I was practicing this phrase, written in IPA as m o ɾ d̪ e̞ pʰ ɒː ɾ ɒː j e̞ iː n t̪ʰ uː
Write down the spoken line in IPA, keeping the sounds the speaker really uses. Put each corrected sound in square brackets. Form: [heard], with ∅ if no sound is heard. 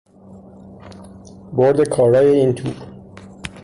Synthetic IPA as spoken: [b] o ɾ d̪ e̞ [kʰ] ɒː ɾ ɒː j e̞ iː n t̪ʰ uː